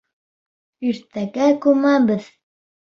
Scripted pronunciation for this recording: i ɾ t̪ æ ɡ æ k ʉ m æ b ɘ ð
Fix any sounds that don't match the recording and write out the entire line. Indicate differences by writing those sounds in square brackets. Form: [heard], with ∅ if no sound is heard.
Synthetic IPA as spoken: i ɾ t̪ æ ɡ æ k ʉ m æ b ɘ ð